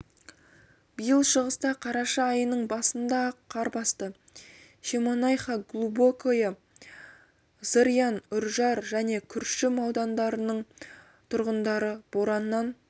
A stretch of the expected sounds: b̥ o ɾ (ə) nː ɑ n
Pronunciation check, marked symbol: incorrect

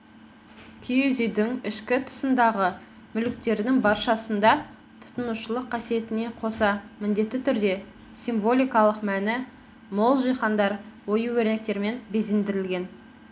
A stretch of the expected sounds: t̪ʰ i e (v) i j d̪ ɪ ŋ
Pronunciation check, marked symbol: incorrect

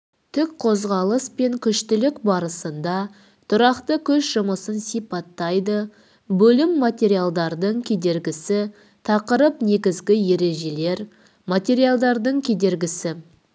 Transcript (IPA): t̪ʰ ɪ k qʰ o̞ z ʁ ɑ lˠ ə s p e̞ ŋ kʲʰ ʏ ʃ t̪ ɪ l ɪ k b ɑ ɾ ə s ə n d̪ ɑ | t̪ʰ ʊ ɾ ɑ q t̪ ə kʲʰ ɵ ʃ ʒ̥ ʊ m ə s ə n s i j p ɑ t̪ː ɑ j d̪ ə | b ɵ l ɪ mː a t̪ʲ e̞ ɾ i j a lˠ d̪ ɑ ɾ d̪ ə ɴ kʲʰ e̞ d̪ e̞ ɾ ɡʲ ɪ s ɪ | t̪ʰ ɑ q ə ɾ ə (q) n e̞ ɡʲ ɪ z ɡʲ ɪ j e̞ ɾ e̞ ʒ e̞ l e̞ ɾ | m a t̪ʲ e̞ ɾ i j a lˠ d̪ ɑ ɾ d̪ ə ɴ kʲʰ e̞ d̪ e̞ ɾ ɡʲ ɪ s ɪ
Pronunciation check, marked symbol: incorrect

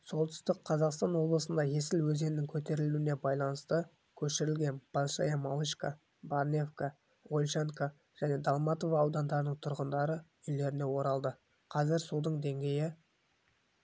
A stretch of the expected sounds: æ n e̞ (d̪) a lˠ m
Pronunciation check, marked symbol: correct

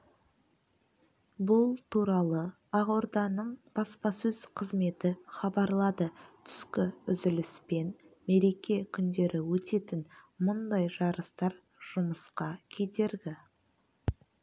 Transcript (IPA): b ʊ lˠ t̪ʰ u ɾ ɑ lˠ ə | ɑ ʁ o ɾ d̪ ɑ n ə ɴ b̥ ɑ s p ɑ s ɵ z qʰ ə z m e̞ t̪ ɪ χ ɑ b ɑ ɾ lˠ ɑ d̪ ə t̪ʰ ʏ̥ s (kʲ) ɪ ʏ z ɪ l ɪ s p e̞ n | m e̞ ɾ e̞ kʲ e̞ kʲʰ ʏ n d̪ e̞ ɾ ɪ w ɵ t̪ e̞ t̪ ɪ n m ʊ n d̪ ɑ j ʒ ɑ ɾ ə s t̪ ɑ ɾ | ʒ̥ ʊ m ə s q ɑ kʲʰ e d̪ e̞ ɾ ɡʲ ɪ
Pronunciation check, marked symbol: correct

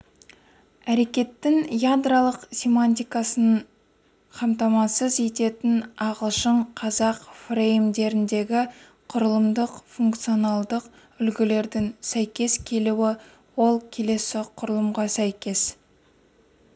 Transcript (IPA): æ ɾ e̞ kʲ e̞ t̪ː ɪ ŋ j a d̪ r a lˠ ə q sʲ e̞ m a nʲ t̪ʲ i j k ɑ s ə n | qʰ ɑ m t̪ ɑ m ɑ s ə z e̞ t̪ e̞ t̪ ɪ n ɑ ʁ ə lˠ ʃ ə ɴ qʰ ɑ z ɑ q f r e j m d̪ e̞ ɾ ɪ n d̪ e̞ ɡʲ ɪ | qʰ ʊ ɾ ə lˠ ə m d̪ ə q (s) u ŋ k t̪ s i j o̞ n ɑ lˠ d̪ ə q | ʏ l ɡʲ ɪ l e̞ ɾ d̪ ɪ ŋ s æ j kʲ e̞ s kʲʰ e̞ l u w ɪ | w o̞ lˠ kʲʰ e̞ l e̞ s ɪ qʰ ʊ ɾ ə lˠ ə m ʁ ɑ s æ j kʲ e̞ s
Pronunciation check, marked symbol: incorrect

